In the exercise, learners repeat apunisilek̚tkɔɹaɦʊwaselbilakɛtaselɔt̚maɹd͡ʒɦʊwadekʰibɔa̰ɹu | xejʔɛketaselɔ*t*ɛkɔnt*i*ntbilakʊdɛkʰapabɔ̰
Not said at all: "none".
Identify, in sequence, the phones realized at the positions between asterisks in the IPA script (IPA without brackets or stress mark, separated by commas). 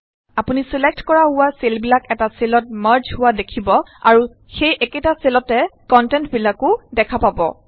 t, ɛ